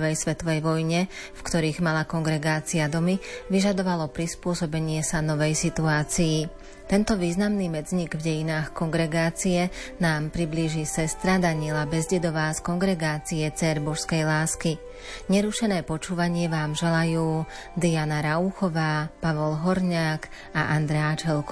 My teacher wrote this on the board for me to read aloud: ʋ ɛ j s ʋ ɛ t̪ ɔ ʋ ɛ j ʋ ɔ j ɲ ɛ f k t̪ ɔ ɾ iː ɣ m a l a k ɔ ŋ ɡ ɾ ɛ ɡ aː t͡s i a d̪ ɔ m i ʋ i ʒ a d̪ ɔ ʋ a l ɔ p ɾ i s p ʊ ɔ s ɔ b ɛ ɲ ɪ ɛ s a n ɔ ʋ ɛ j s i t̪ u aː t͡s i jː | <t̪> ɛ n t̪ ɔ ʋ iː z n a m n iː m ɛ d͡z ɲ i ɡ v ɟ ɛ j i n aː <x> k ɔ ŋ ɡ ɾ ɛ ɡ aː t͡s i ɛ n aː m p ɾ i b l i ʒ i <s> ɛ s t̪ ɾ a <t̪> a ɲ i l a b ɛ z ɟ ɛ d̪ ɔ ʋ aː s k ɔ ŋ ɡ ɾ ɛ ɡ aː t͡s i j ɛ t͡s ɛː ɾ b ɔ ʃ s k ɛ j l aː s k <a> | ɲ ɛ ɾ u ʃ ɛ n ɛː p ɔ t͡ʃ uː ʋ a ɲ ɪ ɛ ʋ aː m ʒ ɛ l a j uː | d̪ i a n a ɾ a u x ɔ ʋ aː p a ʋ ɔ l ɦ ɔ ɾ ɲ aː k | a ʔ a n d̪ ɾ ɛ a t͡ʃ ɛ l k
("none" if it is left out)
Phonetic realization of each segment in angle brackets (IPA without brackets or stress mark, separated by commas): t̪, x, s, d̪, i